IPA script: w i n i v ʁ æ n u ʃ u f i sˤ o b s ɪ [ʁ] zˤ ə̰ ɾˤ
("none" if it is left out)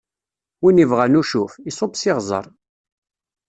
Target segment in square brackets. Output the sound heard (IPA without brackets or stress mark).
ʁ